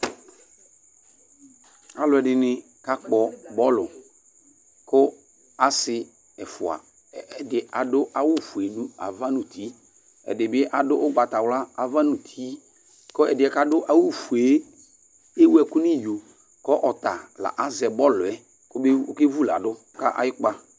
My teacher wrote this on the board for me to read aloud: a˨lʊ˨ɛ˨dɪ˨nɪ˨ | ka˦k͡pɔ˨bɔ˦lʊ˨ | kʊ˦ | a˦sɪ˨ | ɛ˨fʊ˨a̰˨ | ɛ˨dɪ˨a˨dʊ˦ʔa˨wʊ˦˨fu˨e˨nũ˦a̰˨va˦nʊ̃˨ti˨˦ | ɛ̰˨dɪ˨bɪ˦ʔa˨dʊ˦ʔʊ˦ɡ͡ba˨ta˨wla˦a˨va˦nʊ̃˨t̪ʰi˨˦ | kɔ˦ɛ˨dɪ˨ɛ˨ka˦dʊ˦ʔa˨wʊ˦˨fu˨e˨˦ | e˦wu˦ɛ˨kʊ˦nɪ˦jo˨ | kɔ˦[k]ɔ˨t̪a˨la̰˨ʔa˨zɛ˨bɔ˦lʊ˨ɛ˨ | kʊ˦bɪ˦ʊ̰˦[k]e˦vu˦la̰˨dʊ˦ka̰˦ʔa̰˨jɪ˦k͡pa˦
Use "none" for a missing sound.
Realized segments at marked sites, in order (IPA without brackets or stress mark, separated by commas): ʔ, k